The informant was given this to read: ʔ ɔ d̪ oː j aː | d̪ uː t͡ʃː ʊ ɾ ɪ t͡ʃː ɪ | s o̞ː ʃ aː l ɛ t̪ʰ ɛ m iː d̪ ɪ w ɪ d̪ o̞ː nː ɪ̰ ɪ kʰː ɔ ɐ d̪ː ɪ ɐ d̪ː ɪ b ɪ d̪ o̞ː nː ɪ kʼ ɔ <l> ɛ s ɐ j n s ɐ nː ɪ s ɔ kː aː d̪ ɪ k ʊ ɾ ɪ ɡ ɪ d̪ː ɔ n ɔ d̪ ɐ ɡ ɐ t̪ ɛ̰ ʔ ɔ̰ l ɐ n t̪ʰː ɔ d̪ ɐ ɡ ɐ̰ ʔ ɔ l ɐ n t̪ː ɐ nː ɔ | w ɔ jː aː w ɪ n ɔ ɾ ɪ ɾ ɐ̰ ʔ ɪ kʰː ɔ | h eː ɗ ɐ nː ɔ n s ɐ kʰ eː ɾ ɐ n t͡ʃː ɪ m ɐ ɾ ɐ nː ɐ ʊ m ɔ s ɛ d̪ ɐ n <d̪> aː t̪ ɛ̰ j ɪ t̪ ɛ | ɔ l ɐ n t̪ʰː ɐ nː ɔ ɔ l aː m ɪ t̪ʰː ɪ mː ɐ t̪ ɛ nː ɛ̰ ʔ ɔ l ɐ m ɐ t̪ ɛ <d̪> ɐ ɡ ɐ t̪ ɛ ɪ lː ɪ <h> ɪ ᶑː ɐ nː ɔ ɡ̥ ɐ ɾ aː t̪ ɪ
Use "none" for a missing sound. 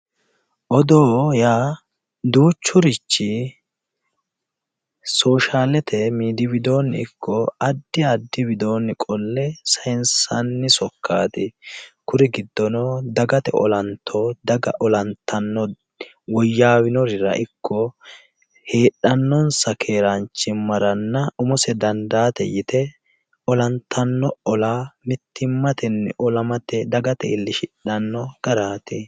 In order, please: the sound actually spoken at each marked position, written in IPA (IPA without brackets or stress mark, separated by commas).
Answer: lː, d̪, d̪, ʃ